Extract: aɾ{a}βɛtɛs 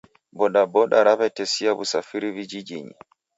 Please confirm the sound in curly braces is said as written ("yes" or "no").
yes